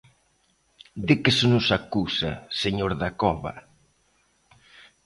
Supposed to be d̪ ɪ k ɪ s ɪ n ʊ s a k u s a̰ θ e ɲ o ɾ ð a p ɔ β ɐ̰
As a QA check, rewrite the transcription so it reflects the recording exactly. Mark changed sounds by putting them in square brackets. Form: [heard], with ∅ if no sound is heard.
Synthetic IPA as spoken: d̪ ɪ k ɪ s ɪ n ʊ s a k u s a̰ [s] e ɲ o ɾ ð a [k] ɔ β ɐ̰